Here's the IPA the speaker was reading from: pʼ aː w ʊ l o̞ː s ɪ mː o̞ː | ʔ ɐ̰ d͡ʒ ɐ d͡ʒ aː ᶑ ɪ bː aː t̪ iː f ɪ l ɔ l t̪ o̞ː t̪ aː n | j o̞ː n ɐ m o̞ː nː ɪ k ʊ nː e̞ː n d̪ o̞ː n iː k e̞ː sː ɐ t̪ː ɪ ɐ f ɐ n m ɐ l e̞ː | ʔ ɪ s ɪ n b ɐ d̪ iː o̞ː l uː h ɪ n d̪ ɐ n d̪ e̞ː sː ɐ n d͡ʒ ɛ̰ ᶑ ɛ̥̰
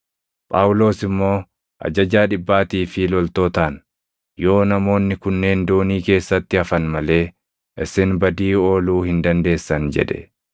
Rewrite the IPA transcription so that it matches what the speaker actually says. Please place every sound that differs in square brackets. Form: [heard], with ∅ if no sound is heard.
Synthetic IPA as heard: pʼ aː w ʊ l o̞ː s ɪ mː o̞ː | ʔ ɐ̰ d͡ʒ ɐ d͡ʒ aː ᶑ ɪ bː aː t̪ iː f ɪ l ɔ l t̪ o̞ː t̪ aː n | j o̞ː n ɐ m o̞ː nː ɪ k ʊ nː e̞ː n d̪ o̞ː n iː k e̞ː sː ɐ t̪ː ɪ ɐ f ɐ n m ɐ l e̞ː | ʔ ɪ s ɪ n b ɐ d̪ iː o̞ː l uː h ɪ n d̪ ɐ n d̪ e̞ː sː ɐ n d͡ʒ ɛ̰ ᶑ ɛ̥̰